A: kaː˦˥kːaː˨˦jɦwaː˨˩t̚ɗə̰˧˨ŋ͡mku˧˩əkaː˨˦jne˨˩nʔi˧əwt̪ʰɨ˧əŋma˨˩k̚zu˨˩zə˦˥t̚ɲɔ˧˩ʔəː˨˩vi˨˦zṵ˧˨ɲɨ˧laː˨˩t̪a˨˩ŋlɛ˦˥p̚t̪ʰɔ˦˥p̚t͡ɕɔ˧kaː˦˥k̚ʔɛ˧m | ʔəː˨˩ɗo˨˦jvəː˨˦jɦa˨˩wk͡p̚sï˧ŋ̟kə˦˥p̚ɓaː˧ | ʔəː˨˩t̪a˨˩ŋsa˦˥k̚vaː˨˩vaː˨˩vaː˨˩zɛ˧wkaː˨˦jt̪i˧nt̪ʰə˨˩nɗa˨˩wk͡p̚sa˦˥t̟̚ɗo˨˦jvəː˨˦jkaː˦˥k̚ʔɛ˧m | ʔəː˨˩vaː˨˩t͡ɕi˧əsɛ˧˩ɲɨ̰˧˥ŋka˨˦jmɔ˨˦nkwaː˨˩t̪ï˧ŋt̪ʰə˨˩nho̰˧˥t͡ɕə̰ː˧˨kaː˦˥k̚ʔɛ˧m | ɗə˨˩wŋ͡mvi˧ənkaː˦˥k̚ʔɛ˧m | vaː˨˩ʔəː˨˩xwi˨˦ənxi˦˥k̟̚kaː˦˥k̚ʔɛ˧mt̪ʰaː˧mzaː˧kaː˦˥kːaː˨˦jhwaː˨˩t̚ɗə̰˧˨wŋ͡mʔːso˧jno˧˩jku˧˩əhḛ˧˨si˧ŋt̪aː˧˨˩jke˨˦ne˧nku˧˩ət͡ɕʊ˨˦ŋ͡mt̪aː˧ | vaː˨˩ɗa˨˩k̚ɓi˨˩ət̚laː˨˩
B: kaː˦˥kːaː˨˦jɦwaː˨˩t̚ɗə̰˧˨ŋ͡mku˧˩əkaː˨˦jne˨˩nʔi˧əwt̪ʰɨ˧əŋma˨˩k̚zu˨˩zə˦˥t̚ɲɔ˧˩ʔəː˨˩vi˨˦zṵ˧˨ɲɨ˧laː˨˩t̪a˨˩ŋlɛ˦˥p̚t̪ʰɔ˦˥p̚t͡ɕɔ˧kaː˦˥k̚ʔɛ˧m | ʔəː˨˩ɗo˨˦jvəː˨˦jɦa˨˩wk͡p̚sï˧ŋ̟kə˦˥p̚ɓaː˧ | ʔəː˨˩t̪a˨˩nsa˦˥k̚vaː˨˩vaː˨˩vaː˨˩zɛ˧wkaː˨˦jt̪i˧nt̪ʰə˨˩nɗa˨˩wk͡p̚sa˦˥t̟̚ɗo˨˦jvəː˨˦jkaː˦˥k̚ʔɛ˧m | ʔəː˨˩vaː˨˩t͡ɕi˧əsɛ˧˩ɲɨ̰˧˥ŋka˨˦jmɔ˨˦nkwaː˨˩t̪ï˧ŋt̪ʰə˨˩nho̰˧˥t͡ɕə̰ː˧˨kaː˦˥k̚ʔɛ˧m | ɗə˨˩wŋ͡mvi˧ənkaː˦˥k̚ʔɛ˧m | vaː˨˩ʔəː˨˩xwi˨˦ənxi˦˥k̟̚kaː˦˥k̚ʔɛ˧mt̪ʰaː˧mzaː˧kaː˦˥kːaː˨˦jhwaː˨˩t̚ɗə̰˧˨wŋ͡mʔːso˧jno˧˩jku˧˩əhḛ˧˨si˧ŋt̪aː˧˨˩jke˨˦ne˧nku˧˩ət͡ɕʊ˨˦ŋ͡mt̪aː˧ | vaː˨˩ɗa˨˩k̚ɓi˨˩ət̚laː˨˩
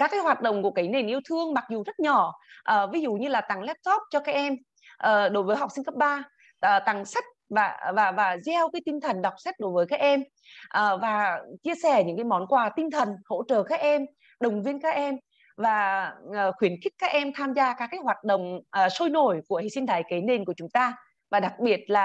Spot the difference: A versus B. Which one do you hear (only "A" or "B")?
A